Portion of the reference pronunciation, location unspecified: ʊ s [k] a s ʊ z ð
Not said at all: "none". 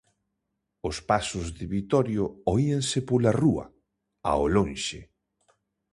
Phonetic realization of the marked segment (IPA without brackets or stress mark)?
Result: p